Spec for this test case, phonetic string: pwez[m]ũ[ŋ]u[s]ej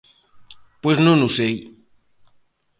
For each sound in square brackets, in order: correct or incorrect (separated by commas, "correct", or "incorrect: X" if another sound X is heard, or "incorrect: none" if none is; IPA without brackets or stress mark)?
incorrect: n, incorrect: n, correct